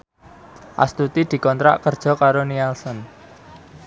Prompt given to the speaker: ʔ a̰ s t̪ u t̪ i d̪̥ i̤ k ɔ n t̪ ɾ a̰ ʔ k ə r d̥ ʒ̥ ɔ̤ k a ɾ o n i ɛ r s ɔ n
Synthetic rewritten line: ʔ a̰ s t̪ u t̪ i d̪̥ i̤ k ɔ n t̪ ɾ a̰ ʔ k ə r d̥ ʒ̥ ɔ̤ k a ɾ o n i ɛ l s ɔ n